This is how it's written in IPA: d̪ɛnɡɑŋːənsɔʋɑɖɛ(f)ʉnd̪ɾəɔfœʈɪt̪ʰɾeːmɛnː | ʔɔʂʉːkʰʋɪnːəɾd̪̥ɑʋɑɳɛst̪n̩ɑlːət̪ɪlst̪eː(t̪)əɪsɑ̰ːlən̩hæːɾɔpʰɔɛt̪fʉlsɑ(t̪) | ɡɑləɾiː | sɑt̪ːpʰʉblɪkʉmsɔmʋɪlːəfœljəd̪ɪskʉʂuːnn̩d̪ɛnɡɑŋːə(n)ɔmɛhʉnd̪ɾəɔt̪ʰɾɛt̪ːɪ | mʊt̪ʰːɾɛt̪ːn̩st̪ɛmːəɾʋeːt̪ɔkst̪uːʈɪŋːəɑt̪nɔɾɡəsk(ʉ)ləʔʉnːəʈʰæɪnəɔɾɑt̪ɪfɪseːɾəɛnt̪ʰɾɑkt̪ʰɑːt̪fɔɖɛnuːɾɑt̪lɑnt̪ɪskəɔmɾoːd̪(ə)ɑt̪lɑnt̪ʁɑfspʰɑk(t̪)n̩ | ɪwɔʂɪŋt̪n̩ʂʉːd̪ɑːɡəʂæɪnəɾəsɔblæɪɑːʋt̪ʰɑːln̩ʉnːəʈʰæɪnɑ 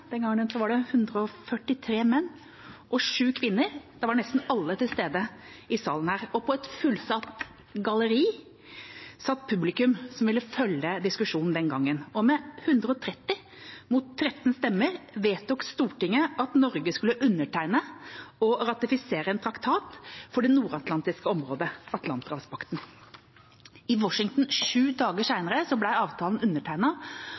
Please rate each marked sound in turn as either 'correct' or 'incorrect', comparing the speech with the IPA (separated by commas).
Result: incorrect, incorrect, correct, correct, correct, correct, correct